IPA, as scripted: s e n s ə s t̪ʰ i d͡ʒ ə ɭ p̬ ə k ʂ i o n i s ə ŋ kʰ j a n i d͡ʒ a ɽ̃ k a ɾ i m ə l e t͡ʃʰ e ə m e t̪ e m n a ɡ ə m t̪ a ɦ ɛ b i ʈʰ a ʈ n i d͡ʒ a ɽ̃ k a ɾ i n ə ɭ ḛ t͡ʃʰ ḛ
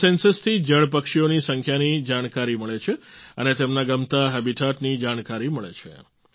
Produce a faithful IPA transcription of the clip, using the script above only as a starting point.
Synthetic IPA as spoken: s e n s ə s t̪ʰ i d͡ʒ ə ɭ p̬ ə k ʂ i o n i s ə ŋ kʰ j a n i d͡ʒ a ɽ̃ k a ɾ i m ə ɭ e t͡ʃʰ e ə n e t̪ e m n a ɡ ə m t̪ a ɦ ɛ b i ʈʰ a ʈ n i d͡ʒ a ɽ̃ k a ɾ i m ə ɭ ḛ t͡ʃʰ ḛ